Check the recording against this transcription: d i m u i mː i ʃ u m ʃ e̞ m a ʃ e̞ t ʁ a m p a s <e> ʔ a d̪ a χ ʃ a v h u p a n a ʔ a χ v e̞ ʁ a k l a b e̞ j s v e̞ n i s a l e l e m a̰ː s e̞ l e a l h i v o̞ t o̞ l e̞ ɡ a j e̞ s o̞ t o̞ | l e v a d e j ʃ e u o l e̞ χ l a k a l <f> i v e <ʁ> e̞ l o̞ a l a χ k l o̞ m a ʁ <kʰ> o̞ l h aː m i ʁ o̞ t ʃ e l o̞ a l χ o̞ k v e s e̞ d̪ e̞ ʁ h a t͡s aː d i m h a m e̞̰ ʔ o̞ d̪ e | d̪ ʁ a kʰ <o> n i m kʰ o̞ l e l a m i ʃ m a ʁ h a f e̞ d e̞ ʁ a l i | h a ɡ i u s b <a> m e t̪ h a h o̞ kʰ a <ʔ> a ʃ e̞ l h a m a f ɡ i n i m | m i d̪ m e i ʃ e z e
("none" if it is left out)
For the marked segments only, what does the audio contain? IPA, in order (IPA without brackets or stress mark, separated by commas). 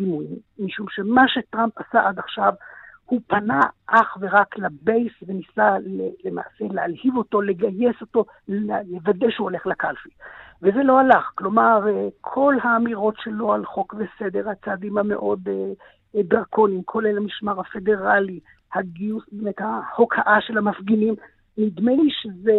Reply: a, f, z, kʰ, o, e, ʔ